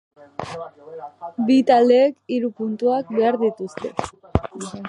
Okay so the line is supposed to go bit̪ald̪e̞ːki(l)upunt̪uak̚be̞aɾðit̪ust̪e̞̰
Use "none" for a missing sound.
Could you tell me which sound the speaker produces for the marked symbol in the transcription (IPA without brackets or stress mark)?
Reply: ɾ